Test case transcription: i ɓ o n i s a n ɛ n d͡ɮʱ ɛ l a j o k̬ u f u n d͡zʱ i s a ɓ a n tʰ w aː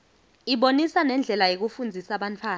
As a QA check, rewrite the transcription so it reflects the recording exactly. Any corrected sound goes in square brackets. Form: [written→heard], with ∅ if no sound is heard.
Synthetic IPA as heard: i ɓ o n i s a n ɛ n d͡ɮʱ ɛ l a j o k̬ u f u n d͡zʱ i s a ɓ a n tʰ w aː